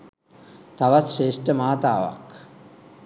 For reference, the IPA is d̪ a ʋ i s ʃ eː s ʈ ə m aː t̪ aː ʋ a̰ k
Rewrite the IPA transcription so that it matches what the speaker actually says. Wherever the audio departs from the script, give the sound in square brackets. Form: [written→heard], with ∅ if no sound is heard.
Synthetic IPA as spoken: [d̪→t̪] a ʋ [i→a] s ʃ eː [s→ʂ] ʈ ə m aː t̪ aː ʋ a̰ k